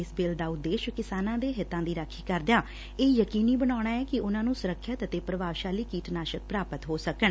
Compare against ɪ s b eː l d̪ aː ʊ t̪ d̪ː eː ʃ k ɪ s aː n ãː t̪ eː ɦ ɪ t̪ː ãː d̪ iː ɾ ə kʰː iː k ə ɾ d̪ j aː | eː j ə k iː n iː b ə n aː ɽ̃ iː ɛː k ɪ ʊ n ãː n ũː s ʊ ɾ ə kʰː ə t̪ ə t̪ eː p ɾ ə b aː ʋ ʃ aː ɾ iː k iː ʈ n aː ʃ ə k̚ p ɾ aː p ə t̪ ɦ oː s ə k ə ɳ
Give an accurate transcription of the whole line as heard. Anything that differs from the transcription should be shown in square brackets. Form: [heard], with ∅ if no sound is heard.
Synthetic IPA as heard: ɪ s b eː l d̪ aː ʊ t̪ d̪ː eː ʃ k ɪ s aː n ãː [d̪] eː ɦ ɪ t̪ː ãː d̪ iː ɾ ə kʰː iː k ə ɾ d̪ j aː | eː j ə k iː n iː b ə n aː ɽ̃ [aː] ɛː k ɪ ʊ n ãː n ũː s ʊ ɾ ə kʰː ə t̪ ə t̪ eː p ɾ ə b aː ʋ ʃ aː [l] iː k iː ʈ n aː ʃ ə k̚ p ɾ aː p ə t̪ ɦ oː s ə k ə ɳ

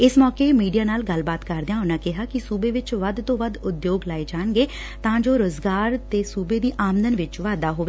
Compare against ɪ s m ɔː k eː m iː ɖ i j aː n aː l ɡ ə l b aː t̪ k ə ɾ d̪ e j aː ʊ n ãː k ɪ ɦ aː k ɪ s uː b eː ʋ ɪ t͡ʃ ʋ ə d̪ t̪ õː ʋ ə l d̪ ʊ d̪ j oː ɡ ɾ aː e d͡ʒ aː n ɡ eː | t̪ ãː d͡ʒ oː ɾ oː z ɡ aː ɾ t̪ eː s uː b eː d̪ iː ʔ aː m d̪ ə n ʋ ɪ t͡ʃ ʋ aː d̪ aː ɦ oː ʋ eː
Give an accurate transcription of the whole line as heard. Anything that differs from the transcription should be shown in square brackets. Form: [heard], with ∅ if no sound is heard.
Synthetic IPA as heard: ɪ s m ɔː k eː m iː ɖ i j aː n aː l ɡ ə l b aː t̪ k ə ɾ d̪ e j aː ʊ n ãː k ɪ ɦ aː k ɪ s uː b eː ʋ ɪ t͡ʃ ʋ ə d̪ t̪ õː ʋ ə [∅] d̪ ʊ d̪ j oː ɡ [l] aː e d͡ʒ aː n ɡ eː | t̪ ãː d͡ʒ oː ɾ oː z ɡ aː ɾ t̪ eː s uː b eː d̪ iː ʔ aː m d̪ ə n ʋ ɪ t͡ʃ ʋ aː d̪ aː ɦ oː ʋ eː

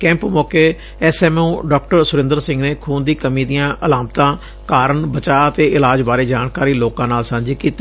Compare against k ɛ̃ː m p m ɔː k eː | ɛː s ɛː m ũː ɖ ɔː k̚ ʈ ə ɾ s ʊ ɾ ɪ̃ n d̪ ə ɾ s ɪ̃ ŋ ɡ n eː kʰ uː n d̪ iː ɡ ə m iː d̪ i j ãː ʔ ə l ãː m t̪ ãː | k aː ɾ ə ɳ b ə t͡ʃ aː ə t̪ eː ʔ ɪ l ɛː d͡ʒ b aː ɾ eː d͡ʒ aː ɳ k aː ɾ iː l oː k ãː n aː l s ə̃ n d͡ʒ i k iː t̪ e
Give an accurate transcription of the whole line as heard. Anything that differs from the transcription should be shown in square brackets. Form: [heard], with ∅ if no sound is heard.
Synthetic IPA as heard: k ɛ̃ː m p m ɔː k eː | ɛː s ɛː m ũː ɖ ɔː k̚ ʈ ə ɾ s ʊ ɾ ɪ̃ n d̪ ə ɾ s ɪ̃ ŋ ɡ n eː kʰ uː n d̪ iː [k] ə m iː d̪ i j ãː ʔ ə l [aː] m t̪ ãː | k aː ɾ ə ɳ b ə t͡ʃ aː ə t̪ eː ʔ ɪ l [aː] d͡ʒ b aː ɾ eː d͡ʒ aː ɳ k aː ɾ iː l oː k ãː n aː l s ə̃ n d͡ʒ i k iː t̪ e

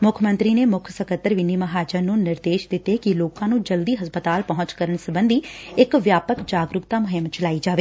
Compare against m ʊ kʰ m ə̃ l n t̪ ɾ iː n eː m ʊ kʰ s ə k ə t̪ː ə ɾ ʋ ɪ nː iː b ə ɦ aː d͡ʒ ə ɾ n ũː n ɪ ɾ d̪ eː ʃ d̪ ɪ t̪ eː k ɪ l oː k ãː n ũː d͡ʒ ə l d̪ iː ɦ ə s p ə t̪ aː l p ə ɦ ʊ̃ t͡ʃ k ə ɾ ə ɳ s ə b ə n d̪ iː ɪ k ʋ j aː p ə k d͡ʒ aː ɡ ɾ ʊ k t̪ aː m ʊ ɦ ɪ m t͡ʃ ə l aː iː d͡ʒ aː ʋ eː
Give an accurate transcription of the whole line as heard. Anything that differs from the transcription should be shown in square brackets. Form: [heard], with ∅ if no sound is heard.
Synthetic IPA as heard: m ʊ kʰ m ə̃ [∅] n t̪ ɾ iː n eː m ʊ kʰ s ə k ə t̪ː ə ɾ ʋ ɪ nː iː [m] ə ɦ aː d͡ʒ ə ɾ n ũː n ɪ ɾ d̪ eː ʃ d̪ ɪ t̪ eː k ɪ l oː k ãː n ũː d͡ʒ ə l d̪ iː ɦ ə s p ə t̪ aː l p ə ɦ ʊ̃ t͡ʃ k ə ɾ ə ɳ s ə b ə n d̪ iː ɪ k ʋ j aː p ə k d͡ʒ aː ɡ ɾ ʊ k t̪ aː m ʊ ɦ ɪ m t͡ʃ ə l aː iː d͡ʒ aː ʋ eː

